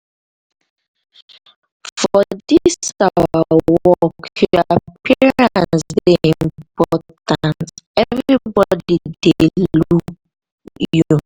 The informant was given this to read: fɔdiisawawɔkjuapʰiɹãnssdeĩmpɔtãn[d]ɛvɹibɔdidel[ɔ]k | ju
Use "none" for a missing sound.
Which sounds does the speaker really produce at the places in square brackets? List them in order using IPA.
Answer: t, u

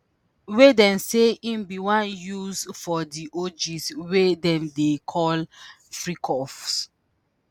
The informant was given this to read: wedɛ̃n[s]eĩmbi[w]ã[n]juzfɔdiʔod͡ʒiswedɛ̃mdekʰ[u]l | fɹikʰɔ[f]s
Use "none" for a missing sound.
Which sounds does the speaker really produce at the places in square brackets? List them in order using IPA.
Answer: s, w, n, ɔ, f

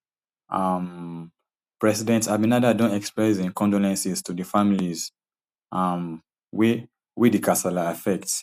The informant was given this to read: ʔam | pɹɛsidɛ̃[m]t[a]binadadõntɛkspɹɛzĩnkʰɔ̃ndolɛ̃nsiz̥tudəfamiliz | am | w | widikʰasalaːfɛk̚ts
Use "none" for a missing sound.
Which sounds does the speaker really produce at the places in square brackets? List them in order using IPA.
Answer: n, a

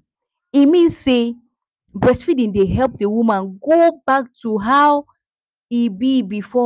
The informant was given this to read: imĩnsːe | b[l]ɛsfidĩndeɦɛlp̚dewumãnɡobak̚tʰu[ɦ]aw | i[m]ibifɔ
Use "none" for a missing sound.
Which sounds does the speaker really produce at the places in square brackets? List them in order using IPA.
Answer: ɹ, ɦ, b

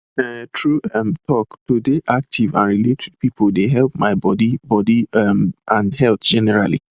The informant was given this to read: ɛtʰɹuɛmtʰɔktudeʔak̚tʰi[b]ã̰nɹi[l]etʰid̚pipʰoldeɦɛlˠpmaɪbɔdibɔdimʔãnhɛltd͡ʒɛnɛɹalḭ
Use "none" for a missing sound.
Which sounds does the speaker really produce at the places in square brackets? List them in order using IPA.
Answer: v, l

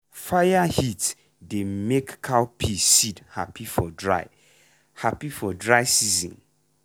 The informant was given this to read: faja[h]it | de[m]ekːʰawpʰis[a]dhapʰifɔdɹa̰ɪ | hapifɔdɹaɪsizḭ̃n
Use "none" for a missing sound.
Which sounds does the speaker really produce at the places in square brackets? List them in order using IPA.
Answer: h, m, i

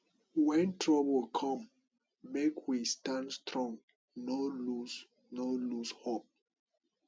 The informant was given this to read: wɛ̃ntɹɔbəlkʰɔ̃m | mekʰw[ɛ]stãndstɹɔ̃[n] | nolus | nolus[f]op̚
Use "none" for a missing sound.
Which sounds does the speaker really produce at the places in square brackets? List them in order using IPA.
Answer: i, ŋ, h

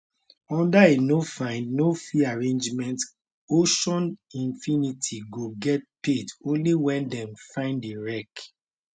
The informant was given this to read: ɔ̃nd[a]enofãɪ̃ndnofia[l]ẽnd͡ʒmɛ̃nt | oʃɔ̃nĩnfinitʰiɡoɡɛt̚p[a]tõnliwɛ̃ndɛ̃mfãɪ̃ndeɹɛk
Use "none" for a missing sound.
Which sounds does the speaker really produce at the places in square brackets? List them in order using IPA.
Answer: a, ɹ, e

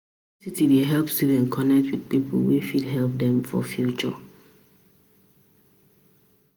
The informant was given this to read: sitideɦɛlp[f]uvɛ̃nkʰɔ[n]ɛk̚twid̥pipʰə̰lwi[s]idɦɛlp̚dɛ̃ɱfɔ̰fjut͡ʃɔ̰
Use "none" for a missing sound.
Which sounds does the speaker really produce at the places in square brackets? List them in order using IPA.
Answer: s, n, f

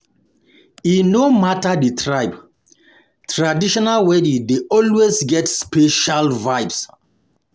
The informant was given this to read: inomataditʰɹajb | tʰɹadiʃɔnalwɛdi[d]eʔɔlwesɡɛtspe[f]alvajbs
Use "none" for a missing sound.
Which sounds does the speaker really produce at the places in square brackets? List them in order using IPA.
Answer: d, ʃ

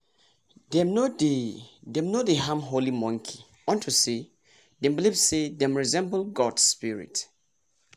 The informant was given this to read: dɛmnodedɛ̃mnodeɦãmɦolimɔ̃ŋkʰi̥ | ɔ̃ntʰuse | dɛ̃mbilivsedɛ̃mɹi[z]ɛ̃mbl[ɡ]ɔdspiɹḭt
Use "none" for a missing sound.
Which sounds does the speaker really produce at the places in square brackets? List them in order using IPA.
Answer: z, ɡ

